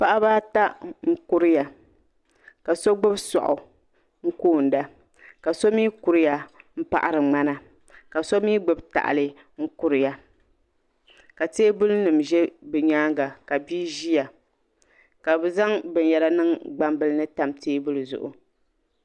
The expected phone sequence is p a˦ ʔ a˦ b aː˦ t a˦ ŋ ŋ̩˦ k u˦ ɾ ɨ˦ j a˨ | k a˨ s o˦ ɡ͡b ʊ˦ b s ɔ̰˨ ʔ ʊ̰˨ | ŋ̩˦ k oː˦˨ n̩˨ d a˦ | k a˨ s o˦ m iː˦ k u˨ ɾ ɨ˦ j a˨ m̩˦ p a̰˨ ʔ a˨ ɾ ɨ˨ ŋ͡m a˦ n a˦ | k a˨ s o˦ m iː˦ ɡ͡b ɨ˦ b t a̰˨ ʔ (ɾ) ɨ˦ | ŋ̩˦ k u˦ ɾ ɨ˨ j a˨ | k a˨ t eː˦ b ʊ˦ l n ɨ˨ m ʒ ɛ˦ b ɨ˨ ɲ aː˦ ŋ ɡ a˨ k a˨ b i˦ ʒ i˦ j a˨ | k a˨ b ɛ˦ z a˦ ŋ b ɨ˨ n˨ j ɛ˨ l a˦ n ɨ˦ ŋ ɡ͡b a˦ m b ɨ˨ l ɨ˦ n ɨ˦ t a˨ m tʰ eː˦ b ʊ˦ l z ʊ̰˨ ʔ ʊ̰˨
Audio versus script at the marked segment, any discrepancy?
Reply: yes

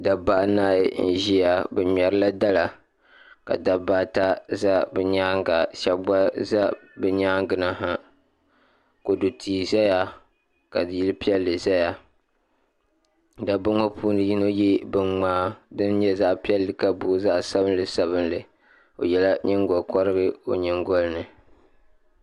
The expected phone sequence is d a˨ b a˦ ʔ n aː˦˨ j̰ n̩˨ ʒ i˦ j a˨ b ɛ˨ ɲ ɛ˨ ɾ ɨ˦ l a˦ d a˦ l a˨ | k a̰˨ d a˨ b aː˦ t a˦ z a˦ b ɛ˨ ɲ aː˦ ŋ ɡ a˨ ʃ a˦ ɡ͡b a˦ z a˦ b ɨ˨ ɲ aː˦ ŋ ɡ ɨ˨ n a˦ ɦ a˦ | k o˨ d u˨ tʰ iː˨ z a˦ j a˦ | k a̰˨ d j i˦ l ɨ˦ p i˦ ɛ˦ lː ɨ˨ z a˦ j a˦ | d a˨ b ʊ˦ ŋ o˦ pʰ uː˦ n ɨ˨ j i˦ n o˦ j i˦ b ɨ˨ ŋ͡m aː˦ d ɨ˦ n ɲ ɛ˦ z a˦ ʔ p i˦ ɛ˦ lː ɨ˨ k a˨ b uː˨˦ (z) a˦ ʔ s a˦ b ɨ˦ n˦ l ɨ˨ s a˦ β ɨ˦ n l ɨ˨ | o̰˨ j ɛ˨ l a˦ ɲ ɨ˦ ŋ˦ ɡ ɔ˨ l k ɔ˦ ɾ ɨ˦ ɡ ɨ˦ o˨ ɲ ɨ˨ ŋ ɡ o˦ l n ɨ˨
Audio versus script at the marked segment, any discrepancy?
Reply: no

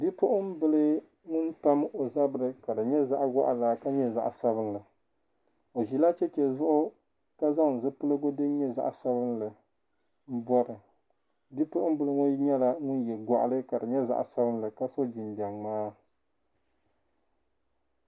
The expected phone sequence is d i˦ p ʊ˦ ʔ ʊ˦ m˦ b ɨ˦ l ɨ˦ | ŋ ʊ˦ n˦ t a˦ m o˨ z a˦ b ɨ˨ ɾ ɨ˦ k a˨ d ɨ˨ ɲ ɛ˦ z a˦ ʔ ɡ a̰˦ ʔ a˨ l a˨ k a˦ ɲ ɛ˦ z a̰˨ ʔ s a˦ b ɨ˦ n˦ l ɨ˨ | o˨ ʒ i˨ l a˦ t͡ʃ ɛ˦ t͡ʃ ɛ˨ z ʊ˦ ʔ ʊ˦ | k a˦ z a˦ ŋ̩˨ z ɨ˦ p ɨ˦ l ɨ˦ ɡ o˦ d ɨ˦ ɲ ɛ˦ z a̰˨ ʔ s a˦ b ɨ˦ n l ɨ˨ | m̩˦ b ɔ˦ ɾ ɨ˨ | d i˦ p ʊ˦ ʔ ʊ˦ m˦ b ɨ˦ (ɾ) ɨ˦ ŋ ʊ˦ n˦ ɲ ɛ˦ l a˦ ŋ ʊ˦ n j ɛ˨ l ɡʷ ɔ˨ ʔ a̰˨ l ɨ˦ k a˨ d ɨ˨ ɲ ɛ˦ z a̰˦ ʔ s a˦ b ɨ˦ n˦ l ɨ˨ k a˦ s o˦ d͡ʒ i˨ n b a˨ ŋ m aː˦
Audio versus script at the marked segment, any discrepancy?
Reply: yes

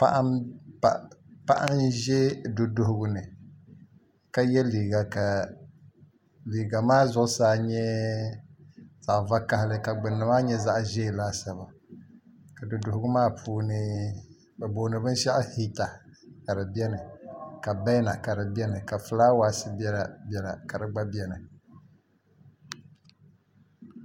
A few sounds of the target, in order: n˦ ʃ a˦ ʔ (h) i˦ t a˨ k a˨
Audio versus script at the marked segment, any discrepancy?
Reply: no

